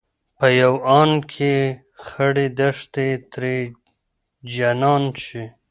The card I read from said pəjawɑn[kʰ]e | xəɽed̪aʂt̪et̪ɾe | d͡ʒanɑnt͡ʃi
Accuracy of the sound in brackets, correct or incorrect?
correct